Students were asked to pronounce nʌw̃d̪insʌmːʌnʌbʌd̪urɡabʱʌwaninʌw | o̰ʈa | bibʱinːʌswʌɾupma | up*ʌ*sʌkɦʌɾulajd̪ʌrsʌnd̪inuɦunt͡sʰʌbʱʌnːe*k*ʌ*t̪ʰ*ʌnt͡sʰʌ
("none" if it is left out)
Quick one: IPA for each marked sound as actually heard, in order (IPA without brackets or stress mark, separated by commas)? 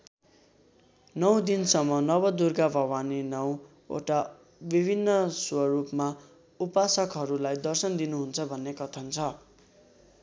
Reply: a, k, t̪ʰ